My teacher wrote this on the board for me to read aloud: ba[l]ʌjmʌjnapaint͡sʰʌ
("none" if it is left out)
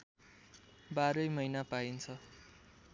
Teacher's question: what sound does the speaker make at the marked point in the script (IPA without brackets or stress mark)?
ɾ